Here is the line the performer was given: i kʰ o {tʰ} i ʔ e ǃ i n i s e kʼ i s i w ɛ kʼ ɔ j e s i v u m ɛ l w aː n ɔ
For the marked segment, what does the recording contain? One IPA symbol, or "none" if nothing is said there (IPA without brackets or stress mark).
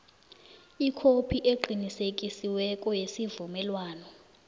pʰ